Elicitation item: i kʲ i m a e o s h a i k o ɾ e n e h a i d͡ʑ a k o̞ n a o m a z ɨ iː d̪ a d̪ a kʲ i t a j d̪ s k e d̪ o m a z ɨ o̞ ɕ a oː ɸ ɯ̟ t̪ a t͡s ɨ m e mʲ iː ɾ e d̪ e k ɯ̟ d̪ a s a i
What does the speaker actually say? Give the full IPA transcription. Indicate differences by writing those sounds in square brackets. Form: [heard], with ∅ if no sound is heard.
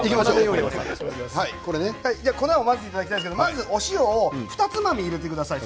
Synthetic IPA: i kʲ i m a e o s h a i k o ɾ e n e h a i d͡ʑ a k o̞ n a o m a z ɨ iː [t̪] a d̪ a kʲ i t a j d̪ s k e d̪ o m a z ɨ o̞ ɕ [i] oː ɸ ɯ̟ t̪ a t͡s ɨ m [a] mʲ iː ɾ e [t̪] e k ɯ̟ d̪ a s a i

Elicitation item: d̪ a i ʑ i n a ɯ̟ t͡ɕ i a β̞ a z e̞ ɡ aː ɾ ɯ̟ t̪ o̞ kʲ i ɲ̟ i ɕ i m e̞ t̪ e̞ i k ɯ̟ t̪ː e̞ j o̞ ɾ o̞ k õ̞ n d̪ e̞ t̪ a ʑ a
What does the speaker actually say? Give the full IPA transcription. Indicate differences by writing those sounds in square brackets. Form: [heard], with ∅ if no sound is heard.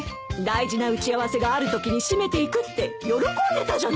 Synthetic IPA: d̪ a i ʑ i n a ɯ̟ t͡ɕ i a β̞ a [s] e̞ ɡ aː ɾ ɯ̟ t̪ o̞ kʲ i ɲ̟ i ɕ i m e̞ t̪ e̞ i k ɯ̟ t̪ː e̞ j o̞ ɾ o̞ k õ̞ n d̪ e̞ t̪ a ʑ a

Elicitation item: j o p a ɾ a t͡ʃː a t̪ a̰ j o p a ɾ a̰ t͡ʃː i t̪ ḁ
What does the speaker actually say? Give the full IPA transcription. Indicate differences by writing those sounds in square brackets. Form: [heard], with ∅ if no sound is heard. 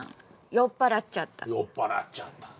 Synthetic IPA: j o p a ɾ a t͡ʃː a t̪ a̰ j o p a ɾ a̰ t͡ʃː [a] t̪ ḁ

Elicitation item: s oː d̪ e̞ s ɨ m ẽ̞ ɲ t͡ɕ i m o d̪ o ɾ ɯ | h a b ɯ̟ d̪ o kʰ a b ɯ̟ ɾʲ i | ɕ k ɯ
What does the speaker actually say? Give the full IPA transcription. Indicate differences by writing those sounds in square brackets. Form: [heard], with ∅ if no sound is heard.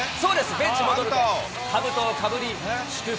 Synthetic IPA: s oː d̪ e̞ s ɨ [b] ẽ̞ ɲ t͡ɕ i m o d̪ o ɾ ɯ | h a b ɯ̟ [t̪] o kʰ a b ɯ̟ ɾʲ i | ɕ k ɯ

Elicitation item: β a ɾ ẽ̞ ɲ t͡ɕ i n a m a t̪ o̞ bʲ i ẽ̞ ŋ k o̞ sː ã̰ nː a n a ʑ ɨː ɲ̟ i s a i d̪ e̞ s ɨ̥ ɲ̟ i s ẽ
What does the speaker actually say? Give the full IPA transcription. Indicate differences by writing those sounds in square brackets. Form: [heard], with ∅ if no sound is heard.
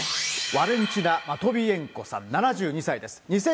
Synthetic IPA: β a ɾ ẽ̞ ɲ t͡ɕ i n a m a t̪ o̞ bʲ i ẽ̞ ŋ k o̞ [s] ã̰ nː a n a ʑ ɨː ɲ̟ i s a i d̪ e̞ s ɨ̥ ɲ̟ i s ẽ

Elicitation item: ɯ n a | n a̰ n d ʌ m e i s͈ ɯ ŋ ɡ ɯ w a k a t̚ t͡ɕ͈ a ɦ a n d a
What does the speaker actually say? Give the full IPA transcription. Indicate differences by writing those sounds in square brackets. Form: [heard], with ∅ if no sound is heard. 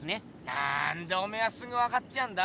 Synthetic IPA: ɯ n [e] | n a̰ n d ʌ m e [a] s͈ ɯ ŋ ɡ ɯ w a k a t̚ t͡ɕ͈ [i] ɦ a n d a

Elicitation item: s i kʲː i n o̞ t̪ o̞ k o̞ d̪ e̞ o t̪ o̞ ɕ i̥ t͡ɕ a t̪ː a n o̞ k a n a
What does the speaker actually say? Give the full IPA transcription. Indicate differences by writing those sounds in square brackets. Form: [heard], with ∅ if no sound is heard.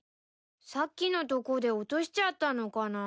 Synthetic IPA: s [a] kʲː i n o̞ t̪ o̞ k o̞ d̪ e̞ o t̪ o̞ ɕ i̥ t͡ɕ a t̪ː a n o̞ k a n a

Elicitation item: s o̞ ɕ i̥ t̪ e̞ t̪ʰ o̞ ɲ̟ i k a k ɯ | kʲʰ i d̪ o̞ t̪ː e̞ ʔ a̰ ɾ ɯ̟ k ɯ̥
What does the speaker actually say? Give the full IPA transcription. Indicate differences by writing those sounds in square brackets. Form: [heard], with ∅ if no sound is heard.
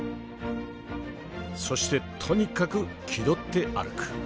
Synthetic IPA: s o̞ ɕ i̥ t̪ e̞ t̪ʰ o̞ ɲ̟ i k a k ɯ | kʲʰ i d̪ o̞ t̪ː e̞ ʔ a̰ ɾ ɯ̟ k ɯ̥

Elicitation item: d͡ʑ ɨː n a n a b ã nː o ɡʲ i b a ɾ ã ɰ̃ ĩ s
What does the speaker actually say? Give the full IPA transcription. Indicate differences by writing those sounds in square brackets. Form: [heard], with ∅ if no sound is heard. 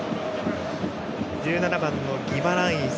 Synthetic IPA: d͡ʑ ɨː n a n a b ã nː o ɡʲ i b a ɾ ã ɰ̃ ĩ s

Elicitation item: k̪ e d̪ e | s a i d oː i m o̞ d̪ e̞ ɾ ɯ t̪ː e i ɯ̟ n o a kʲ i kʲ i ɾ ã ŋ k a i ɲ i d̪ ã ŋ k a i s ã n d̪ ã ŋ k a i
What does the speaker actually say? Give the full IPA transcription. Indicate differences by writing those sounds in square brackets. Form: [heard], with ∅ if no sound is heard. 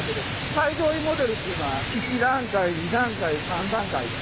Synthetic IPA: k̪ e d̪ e | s a i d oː i m o̞ d̪ e̞ ɾ ɯ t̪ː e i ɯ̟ n o a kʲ i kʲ i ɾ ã ŋ k a i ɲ i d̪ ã ŋ k a i s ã n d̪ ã ŋ k a i

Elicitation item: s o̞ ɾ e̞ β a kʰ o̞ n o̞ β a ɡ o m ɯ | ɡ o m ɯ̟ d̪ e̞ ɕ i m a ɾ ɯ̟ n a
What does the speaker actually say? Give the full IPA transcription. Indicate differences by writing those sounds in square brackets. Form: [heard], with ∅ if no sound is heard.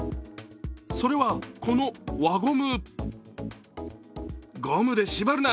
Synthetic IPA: s o̞ ɾ e̞ β a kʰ o̞ n o̞ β a ɡ o m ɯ | ɡ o m ɯ̟ d̪ e̞ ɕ i [b] a ɾ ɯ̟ n a

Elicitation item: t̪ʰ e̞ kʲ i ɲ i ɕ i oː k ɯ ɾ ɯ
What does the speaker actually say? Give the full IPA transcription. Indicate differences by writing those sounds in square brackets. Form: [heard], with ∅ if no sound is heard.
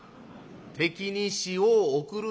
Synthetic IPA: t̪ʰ e̞ kʲ i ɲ i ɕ i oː k ɯ ɾ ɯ

